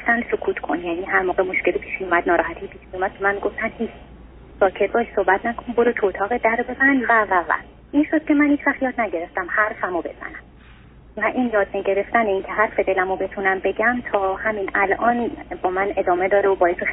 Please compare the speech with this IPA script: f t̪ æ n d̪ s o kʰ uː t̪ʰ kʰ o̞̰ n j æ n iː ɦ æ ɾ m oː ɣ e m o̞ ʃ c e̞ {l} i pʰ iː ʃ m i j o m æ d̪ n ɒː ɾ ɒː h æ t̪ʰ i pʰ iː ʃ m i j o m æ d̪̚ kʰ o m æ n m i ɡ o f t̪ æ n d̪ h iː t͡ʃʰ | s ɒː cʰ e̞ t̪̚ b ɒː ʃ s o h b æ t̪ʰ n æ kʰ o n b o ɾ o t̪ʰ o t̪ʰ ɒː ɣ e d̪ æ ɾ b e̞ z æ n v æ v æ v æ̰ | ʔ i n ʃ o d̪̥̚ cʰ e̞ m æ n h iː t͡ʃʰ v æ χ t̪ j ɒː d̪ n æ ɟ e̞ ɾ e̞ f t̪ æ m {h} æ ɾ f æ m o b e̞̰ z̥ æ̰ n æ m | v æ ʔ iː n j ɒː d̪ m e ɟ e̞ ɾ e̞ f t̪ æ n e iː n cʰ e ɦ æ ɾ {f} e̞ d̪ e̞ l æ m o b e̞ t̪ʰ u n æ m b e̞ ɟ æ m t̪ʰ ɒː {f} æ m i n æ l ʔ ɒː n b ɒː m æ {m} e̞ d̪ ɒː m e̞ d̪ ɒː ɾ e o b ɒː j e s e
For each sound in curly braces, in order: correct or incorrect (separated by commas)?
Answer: correct, correct, correct, incorrect, incorrect